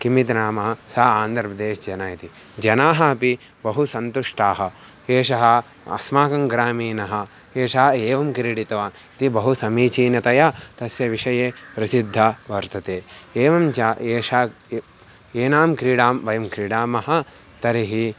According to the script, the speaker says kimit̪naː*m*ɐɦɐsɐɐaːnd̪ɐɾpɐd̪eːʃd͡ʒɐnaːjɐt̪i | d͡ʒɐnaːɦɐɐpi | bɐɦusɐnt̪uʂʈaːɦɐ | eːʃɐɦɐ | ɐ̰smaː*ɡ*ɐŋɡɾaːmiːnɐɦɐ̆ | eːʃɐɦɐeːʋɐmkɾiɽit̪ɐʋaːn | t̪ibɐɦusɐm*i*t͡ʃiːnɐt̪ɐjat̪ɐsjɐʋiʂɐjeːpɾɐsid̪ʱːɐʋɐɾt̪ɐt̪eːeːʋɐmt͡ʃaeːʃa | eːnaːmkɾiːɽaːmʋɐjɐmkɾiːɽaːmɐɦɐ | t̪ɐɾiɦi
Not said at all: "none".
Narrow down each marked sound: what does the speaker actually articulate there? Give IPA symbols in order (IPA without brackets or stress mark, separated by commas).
m, k, iː